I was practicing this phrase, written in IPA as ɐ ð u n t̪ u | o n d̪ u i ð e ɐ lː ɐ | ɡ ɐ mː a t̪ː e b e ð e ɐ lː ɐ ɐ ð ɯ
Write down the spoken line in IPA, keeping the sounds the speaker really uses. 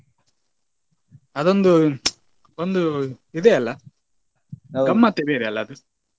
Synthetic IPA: ɐ ð o n d̪ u | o n d̪ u i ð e ɐ lː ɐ | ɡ ɐ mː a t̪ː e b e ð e ɐ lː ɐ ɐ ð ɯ